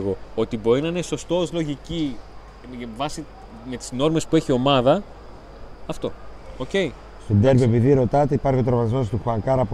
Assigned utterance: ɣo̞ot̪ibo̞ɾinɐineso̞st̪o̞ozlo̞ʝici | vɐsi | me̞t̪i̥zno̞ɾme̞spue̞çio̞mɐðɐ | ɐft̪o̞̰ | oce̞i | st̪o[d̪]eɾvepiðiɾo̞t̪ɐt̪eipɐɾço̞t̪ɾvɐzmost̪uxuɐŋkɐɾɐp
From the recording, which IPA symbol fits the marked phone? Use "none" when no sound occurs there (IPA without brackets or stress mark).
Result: d̪